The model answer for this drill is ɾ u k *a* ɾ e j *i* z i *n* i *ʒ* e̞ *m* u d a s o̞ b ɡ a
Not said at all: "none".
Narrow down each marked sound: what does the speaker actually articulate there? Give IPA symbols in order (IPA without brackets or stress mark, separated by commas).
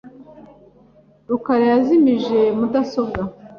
a, a, m, ʒ, m